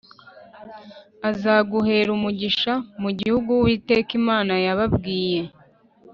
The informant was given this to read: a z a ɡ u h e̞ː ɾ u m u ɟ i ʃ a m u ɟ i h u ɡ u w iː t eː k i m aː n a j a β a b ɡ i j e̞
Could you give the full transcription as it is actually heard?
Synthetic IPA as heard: a z a ɡ u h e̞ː ɾ u m u ɟ i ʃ a m u ɟ i h u ɡ u w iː t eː k i m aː n a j a β a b ɡ iː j e̞